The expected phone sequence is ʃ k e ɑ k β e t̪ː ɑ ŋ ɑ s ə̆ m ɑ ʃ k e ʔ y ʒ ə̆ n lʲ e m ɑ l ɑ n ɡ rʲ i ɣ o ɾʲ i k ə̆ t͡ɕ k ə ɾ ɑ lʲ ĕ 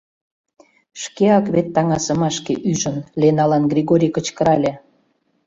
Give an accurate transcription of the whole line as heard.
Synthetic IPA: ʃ k e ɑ k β e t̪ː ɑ ŋ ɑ s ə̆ m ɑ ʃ k e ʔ y ʒ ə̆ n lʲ e n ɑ l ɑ n ɡ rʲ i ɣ o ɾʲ i k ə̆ t͡ɕ k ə ɾ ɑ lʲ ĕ